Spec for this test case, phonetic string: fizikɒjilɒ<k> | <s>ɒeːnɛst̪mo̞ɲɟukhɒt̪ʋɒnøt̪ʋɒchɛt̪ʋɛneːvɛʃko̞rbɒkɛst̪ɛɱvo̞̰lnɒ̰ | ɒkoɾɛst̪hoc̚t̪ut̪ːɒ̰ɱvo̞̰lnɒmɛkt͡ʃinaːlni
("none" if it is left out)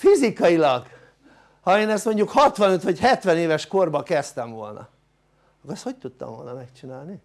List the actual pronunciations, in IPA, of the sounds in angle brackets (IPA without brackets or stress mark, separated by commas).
ɡ, h